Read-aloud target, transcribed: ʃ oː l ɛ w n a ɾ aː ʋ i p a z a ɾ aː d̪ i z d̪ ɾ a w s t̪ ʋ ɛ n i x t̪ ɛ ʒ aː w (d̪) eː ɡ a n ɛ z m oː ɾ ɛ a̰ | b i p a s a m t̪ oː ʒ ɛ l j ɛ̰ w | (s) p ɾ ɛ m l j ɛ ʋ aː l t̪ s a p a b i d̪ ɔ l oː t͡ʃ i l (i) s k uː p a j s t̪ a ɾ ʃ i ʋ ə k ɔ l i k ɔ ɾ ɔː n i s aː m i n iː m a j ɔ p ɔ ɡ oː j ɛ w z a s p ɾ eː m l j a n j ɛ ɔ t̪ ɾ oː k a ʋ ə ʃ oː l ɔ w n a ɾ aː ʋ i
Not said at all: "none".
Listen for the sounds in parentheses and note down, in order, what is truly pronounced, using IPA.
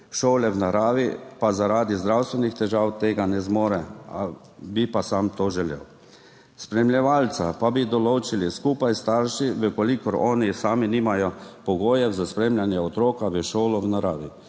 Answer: t̪, s, i

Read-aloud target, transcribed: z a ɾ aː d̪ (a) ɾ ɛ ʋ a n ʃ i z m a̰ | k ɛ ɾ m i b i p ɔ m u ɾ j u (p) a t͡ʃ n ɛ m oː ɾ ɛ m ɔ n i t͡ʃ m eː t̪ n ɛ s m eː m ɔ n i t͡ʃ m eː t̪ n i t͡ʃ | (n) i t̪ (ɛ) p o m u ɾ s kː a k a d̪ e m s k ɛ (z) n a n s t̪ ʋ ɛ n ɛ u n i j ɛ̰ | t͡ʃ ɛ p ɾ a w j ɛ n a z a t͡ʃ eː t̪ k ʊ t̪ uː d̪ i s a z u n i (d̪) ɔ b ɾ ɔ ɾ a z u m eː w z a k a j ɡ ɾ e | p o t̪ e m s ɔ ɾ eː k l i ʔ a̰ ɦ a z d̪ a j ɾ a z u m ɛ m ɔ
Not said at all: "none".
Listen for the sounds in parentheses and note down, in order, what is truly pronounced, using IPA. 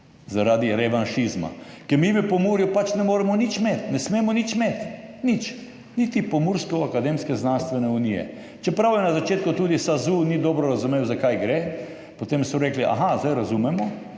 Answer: i, p, n, i, z, d̪

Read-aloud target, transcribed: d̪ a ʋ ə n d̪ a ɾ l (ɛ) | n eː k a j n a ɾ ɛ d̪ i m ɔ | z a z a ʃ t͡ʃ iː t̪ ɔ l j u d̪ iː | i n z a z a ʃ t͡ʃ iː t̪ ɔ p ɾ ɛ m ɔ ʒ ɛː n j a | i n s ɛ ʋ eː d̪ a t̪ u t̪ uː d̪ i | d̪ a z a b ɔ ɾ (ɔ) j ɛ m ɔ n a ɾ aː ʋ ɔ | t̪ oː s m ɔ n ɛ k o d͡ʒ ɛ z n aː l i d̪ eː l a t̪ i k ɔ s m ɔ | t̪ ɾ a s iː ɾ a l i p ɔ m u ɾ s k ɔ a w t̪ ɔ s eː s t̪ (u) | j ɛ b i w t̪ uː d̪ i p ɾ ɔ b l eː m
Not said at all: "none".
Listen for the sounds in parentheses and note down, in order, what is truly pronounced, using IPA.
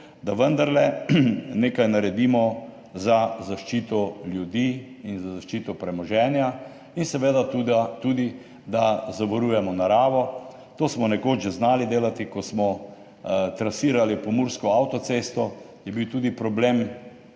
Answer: ɛ, u, ɔ

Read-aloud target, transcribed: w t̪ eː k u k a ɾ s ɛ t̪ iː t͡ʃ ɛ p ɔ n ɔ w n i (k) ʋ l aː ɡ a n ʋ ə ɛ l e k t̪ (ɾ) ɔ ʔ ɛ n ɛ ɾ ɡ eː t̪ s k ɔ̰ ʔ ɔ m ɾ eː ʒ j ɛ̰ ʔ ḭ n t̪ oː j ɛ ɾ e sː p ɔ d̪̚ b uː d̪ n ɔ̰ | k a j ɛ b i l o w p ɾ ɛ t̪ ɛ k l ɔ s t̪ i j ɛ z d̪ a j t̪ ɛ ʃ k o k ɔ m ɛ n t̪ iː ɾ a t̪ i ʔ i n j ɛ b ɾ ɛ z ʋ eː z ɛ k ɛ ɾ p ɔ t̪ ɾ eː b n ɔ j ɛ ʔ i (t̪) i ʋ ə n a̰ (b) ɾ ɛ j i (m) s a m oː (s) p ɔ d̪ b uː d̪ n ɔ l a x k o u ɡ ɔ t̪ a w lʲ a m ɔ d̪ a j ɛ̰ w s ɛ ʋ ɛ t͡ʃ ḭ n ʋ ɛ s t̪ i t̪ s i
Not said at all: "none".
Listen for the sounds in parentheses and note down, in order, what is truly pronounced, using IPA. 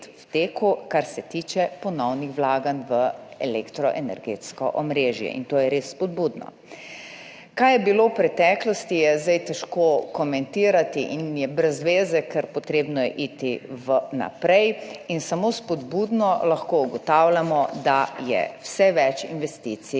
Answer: x, ɾ, t̪, p, n, s

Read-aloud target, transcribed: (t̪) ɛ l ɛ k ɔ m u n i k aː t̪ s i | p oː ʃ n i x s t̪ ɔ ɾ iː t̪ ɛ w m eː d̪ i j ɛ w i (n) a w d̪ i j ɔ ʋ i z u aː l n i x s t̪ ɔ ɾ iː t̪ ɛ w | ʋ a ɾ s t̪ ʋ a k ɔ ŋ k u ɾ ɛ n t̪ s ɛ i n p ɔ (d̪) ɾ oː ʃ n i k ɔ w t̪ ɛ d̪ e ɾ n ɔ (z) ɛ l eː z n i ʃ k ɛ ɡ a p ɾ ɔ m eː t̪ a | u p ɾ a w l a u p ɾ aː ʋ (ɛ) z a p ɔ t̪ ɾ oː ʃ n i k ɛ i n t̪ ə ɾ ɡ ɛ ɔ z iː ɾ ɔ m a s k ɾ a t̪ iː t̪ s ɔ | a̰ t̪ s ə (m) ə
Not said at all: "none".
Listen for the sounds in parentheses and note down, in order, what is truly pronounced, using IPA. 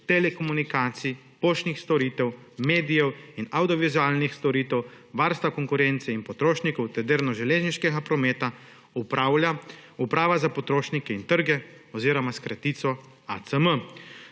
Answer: t̪, n, t̪, ʒ, a, m

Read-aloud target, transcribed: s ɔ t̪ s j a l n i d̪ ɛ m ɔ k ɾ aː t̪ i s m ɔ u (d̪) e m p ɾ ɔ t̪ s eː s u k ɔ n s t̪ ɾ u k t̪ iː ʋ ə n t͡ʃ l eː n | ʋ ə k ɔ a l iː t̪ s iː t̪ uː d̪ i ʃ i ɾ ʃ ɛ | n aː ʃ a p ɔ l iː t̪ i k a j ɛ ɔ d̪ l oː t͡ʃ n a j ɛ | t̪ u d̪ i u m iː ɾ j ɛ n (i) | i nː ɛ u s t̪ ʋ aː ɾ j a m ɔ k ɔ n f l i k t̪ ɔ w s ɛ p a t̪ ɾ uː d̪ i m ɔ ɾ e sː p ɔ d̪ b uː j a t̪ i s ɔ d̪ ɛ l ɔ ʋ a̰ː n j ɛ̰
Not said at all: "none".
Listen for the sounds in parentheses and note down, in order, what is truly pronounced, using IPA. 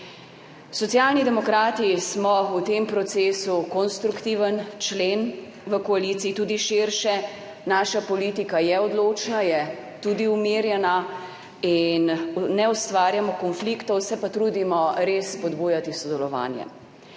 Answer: t̪, a

